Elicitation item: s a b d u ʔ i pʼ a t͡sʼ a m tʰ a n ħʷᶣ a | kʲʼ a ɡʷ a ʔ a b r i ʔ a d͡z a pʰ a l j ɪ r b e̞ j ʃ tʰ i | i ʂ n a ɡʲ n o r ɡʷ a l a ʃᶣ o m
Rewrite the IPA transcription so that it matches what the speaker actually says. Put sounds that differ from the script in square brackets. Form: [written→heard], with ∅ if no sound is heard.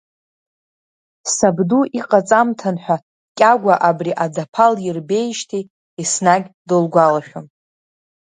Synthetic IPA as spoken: s a b d u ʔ i [pʼ→qʼ] a t͡sʼ a m tʰ a n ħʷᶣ a | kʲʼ a ɡʷ a ʔ a b r i ʔ a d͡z a pʰ a l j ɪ r b e̞ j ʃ tʰ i | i [ʂ→s] n a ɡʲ [n→d] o [r→l] ɡʷ a l a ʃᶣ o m

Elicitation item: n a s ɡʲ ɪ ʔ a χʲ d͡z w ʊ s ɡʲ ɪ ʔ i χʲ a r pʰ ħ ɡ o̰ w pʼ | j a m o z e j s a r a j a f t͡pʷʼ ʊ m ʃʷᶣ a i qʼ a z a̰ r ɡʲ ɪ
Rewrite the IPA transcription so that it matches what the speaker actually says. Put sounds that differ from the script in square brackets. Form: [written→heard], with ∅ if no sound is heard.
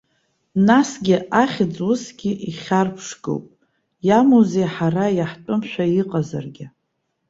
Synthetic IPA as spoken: n a s ɡʲ ɪ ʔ a χʲ d͡z w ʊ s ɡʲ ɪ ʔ i χʲ a r pʰ [ħ→ʂ] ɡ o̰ w pʼ | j a m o z e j [s→ħ] a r a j a [f→ħ] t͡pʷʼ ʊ m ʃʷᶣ a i qʼ a z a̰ r ɡʲ ɪ

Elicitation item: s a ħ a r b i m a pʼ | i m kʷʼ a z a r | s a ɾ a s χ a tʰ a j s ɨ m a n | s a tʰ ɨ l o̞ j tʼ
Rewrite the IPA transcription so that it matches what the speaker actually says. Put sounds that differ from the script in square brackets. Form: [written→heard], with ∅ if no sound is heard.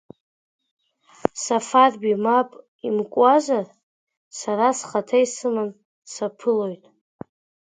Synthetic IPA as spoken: s a [ħ→f] a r b i m a pʼ | i m kʷʼ a z a r | s a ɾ a s χ a tʰ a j s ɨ m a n | s a [tʰ→pʰ] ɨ l o̞ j tʼ

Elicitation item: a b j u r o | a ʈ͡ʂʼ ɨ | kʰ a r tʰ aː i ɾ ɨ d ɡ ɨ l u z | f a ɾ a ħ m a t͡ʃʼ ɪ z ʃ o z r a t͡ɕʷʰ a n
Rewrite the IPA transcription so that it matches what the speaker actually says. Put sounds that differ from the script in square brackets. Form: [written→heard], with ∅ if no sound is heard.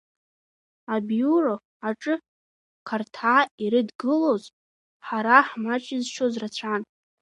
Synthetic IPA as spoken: a b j u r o | a ʈ͡ʂʼ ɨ | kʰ a r tʰ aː i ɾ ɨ d ɡ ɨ l [u→o] z | [f→ħ] a ɾ a ħ m a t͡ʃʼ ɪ z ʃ o z r a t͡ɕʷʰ a n

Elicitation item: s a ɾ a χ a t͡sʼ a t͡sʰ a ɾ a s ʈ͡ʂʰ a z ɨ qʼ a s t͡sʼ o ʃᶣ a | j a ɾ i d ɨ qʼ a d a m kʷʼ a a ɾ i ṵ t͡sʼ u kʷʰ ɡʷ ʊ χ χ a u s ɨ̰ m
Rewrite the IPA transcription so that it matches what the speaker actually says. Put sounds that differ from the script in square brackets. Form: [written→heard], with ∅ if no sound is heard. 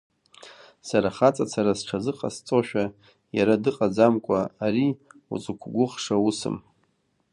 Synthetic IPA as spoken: s a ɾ a χ a t͡sʼ a t͡sʰ a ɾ a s ʈ͡ʂʰ a z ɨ qʼ a s t͡sʼ o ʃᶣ a | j a ɾ [i→a] d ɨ qʼ a [d→d͡z] a m kʷʼ a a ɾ i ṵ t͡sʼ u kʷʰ ɡʷ ʊ χ [χ→ʂ] a u s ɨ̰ m

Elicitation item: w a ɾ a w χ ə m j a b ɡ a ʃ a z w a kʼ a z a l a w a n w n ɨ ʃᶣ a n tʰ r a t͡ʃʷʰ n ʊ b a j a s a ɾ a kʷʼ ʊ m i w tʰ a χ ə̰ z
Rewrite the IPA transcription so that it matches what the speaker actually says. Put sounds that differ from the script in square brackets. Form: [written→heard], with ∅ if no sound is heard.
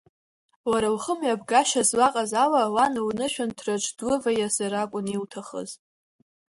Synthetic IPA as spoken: w a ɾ a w χ ə m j a b ɡ a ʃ a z w a [kʼ→qʼ] a z a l a w a n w n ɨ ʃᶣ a n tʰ r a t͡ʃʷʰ [n→d] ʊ [b→v] a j a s a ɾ a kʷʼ ʊ [m→n] i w tʰ a χ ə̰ z

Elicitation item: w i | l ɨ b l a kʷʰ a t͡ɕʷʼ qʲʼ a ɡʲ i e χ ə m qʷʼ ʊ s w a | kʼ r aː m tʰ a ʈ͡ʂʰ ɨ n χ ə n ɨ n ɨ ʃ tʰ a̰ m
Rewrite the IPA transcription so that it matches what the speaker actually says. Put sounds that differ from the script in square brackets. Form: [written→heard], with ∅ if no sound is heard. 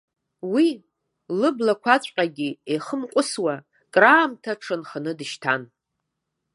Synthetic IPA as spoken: w i | l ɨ b l a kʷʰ a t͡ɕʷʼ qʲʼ a ɡʲ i e χ ə m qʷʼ ʊ s w a | kʼ r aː m tʰ a ʈ͡ʂʰ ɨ n χ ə n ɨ [n→d] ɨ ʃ tʰ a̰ [m→n]

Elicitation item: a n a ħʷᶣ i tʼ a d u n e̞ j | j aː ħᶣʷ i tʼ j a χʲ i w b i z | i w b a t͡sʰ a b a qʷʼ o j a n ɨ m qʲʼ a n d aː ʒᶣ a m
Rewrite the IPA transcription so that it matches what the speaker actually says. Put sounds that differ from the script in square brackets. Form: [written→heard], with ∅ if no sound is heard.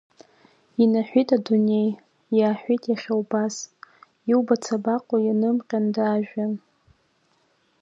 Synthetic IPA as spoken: [a→i] n a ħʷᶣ i tʼ a d u n e̞ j | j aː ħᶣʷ i tʼ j a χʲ [i→a] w b [i→a] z | i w b a t͡sʰ a b a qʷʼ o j a n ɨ m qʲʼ a n d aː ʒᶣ a [m→n]

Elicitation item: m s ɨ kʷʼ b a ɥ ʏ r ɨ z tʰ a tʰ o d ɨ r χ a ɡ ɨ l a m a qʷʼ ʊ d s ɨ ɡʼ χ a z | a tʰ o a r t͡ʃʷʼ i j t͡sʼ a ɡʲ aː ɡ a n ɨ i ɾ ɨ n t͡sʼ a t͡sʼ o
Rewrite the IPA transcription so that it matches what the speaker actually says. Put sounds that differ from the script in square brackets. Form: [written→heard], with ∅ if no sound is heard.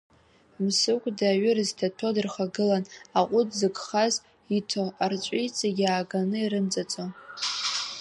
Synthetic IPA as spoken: m s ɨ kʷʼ [b→d] a ɥ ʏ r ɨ z tʰ a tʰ o d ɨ r χ a ɡ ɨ l a [m→n] a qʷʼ ʊ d [s→z] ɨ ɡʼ χ a z | [a→i] tʰ o a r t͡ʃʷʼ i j t͡sʼ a ɡʲ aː ɡ a n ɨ i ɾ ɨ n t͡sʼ a t͡sʼ o

